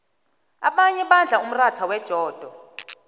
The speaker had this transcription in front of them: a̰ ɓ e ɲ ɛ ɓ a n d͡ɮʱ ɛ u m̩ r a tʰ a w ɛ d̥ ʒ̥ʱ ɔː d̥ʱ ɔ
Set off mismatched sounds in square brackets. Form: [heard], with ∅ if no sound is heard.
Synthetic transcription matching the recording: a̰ ɓ [a] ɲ ɛ ɓ a n d͡ɮʱ [a] u m̩ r a tʰ a w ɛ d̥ ʒ̥ʱ ɔː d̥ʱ ɔ